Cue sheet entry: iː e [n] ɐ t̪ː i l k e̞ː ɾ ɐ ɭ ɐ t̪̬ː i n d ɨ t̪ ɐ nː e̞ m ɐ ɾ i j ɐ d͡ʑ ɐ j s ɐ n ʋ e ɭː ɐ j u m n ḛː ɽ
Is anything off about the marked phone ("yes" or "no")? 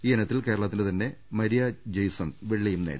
no